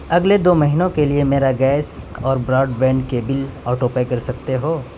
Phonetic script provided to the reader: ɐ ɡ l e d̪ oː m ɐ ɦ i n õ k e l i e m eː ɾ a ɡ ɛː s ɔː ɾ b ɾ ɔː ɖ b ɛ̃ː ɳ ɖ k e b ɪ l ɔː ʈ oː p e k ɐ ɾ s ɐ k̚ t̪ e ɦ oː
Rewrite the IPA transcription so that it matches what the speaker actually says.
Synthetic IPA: ɐ ɡ l e d̪ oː m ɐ ɦ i n õ k e l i e m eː ɾ a ɡ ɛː s ɔː ɾ b ɾ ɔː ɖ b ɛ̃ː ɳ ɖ k e b ɪ l ɔː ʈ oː p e k ɐ ɾ s ɐ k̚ t̪ e ɦ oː